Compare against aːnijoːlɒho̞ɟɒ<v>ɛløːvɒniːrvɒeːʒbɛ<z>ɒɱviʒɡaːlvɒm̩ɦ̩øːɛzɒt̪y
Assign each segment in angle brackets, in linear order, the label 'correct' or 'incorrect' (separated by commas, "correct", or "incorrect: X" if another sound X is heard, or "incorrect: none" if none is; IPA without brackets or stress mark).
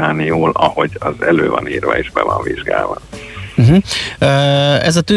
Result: incorrect: z, incorrect: v